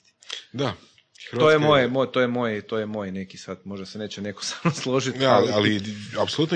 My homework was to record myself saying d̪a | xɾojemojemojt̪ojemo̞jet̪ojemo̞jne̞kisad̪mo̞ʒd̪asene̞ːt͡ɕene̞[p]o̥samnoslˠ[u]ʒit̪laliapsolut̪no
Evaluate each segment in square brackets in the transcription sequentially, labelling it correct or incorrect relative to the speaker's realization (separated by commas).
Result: incorrect, incorrect